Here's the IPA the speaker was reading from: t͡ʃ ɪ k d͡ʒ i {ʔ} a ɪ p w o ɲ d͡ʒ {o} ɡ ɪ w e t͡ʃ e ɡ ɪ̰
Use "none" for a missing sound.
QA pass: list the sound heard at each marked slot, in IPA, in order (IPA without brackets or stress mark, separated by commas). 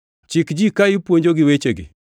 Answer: k, o